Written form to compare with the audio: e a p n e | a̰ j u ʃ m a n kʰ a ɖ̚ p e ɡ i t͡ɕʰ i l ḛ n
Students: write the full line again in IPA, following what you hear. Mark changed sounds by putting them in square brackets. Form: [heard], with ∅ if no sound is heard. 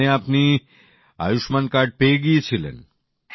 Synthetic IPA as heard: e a p n [i] | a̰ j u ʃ m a n [k] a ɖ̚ p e ɡ i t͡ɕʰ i l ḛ n